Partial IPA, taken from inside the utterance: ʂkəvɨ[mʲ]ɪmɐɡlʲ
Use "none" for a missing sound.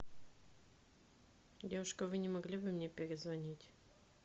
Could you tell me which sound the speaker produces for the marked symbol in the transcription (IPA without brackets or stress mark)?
nʲ